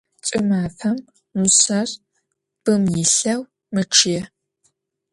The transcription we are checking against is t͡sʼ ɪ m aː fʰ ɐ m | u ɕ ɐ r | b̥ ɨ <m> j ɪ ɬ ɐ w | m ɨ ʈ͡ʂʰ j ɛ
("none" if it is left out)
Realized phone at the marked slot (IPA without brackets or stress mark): m